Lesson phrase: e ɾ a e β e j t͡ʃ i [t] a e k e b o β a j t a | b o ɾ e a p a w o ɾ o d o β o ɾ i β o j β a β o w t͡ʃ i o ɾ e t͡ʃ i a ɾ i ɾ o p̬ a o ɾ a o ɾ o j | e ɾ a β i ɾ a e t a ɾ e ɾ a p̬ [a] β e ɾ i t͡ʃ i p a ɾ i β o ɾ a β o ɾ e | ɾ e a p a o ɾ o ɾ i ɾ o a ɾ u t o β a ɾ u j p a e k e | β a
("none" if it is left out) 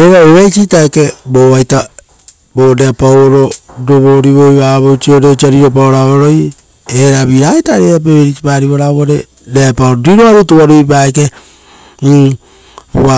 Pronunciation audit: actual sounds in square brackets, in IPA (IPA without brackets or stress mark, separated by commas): t, e